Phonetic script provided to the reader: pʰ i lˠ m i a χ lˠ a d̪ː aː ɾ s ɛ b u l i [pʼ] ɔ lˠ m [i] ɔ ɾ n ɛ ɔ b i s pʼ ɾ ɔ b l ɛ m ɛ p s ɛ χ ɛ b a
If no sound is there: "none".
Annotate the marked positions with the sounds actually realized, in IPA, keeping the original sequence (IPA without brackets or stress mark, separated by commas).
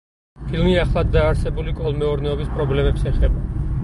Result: kʼ, ɛ